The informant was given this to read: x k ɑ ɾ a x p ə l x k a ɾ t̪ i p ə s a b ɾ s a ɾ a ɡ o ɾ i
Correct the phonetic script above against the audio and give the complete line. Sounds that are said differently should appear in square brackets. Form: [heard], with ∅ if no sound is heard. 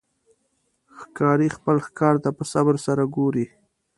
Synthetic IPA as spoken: x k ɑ ɾ [i] x p ə l x k [ɑ] ɾ t̪ [a] p ə s a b ɾ s a ɾ a ɡ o ɾ i